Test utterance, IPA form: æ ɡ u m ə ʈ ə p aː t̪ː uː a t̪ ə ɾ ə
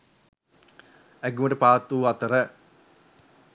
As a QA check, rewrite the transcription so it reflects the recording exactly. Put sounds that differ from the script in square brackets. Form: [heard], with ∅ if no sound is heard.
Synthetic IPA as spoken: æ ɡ u m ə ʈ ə p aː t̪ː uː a t̪ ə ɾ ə